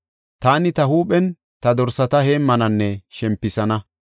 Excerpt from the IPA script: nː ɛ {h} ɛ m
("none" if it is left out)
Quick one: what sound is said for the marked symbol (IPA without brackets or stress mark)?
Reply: ʃ